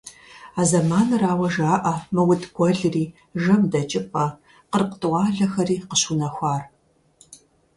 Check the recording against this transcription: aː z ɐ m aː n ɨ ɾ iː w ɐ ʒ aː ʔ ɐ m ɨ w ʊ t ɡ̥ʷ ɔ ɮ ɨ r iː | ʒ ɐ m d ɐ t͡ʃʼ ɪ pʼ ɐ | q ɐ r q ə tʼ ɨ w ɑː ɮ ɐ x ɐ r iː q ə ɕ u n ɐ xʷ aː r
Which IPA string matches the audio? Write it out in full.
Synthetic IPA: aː z ɐ m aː n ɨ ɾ aː w ɐ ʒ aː ʔ ɐ m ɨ w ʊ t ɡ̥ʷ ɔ ɮ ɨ r iː | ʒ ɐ m d ɐ t͡ʃʼ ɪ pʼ ɐ | q ə r q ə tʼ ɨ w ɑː ɮ ɐ x ɐ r iː q ə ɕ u n ɐ xʷ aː r